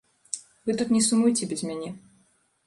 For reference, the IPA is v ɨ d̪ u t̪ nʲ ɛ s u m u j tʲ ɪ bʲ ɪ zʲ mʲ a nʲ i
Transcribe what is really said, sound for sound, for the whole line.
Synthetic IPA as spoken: v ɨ t̪ u t̪ nʲ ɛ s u m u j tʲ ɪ bʲ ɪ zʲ mʲ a nʲ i